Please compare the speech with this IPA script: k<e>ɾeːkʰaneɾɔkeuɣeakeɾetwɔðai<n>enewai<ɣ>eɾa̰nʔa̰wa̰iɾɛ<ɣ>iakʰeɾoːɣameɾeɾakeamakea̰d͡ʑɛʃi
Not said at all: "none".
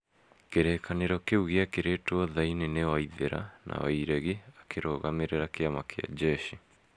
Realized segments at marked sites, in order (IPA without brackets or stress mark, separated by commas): e, n, ð, ɣ